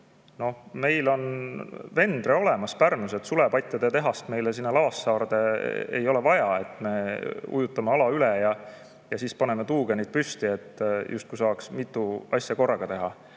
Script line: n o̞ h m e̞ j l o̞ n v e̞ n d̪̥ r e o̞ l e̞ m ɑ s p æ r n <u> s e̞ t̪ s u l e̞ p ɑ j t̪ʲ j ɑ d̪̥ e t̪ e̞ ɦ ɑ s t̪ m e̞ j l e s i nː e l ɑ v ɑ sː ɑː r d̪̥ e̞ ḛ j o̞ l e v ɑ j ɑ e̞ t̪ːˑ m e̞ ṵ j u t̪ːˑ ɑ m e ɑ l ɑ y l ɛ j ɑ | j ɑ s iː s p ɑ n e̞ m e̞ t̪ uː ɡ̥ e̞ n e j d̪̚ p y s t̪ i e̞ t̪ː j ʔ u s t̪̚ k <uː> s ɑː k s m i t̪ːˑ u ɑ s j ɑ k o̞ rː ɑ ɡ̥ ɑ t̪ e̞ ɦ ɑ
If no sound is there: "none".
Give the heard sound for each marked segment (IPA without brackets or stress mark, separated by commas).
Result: u, u